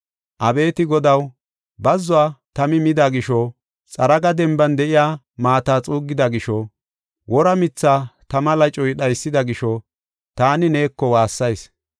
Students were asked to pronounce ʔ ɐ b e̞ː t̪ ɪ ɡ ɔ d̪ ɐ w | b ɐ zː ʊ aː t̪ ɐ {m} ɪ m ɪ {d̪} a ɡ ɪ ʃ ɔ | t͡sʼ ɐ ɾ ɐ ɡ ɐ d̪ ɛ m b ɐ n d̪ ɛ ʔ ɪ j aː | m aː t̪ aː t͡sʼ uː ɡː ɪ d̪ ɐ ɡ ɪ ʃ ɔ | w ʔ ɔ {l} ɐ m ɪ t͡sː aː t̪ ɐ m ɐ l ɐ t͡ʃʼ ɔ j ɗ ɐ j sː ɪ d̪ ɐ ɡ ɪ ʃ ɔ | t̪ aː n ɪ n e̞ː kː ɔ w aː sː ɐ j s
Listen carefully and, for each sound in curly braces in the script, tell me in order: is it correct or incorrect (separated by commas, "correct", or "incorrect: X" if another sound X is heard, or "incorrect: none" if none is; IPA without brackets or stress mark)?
correct, correct, incorrect: ɾ